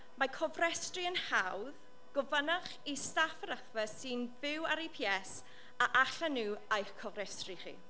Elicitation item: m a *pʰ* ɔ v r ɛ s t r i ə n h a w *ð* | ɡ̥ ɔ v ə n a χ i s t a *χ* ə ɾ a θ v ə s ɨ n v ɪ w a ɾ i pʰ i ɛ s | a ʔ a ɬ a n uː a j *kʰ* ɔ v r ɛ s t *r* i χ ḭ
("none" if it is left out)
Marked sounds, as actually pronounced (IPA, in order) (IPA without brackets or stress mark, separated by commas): kʰ, ð, f, kʰ, r